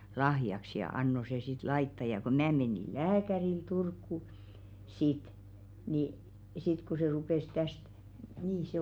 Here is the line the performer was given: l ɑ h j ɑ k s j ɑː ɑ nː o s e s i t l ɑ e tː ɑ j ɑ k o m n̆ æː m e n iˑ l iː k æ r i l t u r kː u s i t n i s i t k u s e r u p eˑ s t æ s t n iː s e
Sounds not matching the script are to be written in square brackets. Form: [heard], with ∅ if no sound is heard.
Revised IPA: l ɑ h j ɑ k s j [ɑ] ɑ nː o s e s i t l ɑ [i] tː ɑ j ɑ k o m n̆ æː m e n iˑ l [æː] k æ r i l t u r kː u s i t n i s i t k u s e r u p eˑ s t æ s t n iː s e

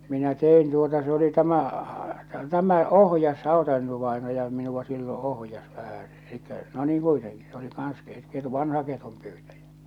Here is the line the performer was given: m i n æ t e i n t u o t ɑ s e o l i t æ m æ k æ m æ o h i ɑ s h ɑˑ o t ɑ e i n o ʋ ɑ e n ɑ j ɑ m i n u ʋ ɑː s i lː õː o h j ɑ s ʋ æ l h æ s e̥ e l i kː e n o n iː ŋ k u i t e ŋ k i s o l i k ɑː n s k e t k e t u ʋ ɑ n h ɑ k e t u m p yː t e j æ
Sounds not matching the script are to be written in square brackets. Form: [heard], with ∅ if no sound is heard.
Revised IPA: m i n æ t e i n t u o t ɑ s e o l i t æ m æ [t] æ m æ o h [j] ɑ s h ɑˑ o t ɑ e i n o ʋ ɑ e n ɑ j ɑ m i n u ʋ [ɑ] s i lː õː o h j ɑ s ʋ æ [∅] h æ s e̥ e l i kː [æ] n o n iː ŋ k u i t e ŋ k i s o l i k ɑː n s k e t k e t u ʋ ɑ n h ɑ k e t u m p yː t [æ] j æ

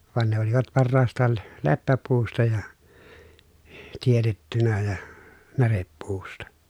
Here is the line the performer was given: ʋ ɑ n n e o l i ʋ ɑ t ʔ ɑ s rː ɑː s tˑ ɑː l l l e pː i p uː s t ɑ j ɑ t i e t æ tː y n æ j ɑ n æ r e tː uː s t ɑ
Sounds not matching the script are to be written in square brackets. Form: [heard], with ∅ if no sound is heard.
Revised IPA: ʋ ɑ n n e o l i ʋ ɑ t [p] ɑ [∅] rː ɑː s tˑ ɑː l l l e pː [æ] p uː s t ɑ j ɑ t i e t [e] tː y n æ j ɑ n æ r e [pː] uː s t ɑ

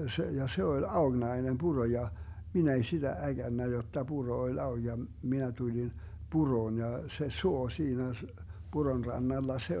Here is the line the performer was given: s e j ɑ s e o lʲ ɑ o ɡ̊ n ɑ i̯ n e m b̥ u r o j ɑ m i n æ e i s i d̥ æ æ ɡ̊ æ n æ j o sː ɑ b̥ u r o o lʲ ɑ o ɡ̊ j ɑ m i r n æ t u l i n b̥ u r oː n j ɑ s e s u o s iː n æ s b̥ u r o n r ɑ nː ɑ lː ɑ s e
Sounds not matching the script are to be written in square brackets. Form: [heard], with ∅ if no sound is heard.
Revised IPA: s e j ɑ s e o lʲ ɑ o ɡ̊ n ɑ i̯ n e m b̥ u r o j ɑ m i n æ e i s i d̥ æ æ ɡ̊ æ [nː] æ j o [tː] ɑ b̥ u r o o lʲ ɑ o ɡ̊ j ɑ m i [∅] n æ t u l i n b̥ u r oː n j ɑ s e s u o s iː n æ s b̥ u r o n r ɑ nː ɑ lː ɑ s e

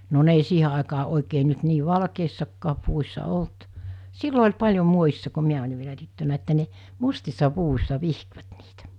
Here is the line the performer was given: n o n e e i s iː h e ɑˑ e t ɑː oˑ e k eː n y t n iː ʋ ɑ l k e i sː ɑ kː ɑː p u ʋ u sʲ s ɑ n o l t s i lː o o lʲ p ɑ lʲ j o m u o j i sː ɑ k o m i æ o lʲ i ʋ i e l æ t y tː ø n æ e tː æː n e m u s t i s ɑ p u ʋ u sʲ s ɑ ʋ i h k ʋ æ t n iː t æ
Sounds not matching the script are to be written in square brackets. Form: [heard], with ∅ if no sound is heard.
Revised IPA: n o n e e i s iː h e ɑˑ e [k] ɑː oˑ e k eː n y t n iː ʋ ɑ l k e i sː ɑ kː ɑː p u ʋ u sʲ s ɑ [∅] o l t s i lː o o lʲ p ɑ lʲ j o m u o j i sː ɑ k o m i æ o lʲ i ʋ i e l æ t y tː ø n æ e tː [æ] n e m u s t i [sː] ɑ p u ʋ u sʲ s ɑ ʋ i h k ʋ æ t n iː t æ

